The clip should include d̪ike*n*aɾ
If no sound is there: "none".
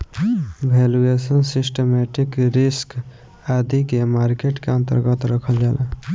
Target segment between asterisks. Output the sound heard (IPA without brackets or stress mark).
m